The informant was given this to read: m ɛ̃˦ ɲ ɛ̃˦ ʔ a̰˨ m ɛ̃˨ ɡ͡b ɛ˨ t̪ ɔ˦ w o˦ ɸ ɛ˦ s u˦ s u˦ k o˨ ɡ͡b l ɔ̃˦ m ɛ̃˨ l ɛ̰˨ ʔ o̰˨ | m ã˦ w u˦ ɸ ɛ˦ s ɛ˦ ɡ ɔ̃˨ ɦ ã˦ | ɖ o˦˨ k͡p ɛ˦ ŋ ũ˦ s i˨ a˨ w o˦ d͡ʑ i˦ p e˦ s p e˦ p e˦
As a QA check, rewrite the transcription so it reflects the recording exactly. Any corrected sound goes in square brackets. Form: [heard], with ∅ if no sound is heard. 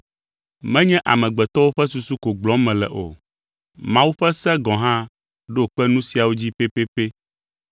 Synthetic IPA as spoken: m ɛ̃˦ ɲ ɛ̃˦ ʔ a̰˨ m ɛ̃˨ ɡ͡b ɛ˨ t̪ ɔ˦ w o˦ ɸ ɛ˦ s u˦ s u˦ k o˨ ɡ͡b l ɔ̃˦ m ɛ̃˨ l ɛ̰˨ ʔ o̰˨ | m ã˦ w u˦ ɸ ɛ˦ s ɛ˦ ɡ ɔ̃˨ ɦ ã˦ | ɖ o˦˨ k͡p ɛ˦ [n] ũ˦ s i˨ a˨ w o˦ d͡ʑ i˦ p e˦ [∅] p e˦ p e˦